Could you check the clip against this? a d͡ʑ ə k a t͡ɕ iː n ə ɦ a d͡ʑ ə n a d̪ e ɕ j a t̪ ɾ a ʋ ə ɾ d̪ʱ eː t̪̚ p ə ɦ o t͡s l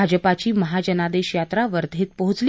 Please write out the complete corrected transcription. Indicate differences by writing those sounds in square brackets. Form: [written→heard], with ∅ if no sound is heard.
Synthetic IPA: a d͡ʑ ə [k→p] a t͡ɕ iː [n→m] ə ɦ a d͡ʑ ə n a d̪ e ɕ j a t̪ ɾ a ʋ ə ɾ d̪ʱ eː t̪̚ p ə ɦ [o→u] t͡s l